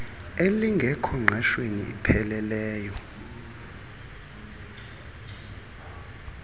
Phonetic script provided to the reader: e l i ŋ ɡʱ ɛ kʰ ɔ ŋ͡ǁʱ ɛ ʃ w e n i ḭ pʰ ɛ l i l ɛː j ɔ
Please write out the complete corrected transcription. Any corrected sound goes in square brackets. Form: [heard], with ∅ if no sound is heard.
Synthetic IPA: e l i ŋ ɡʱ ɛ kʰ ɔ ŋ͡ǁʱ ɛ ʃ w e n i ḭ pʰ ɛ l [ɛ] l ɛː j ɔ